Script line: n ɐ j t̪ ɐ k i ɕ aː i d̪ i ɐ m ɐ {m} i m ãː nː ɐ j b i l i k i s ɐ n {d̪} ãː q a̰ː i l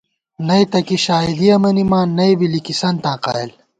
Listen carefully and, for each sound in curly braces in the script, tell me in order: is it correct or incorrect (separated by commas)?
incorrect, incorrect